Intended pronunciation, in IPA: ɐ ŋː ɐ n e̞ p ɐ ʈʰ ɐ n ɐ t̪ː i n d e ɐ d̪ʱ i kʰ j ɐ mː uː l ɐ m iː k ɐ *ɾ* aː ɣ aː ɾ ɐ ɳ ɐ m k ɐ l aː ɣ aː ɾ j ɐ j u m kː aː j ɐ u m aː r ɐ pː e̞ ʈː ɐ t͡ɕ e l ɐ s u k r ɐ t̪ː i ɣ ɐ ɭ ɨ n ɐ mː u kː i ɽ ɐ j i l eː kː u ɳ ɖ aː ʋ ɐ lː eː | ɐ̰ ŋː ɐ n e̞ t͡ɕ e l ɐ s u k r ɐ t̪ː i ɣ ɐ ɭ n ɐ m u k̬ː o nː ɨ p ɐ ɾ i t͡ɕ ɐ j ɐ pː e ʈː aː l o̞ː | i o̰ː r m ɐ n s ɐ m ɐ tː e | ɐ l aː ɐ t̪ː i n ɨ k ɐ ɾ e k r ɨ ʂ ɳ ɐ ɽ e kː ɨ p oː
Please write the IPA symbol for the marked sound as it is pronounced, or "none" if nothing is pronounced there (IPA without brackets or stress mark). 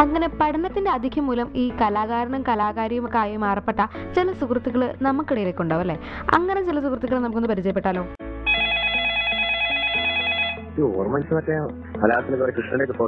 l